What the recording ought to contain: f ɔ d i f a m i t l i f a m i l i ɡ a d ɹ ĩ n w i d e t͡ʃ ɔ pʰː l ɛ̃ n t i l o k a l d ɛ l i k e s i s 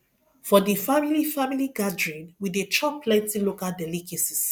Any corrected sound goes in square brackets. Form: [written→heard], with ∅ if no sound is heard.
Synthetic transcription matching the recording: f ɔ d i f a m i [t→∅] l i f a m i l i ɡ a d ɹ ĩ n w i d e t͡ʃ ɔ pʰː l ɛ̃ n t i l o k a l d ɛ l i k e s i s